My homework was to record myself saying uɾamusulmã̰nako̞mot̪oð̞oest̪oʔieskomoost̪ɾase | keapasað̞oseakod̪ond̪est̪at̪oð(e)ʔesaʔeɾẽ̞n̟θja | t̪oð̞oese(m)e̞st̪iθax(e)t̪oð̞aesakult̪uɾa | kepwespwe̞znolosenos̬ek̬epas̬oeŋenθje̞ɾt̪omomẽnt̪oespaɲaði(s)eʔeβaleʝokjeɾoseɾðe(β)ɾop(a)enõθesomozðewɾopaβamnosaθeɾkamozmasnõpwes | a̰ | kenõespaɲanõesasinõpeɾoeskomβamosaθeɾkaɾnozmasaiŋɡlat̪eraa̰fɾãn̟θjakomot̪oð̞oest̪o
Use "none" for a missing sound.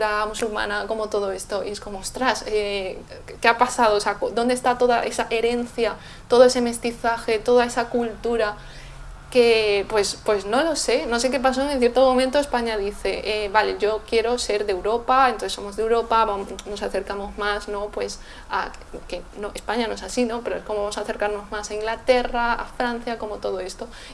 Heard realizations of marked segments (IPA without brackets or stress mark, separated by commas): a, m, e, θ, w, a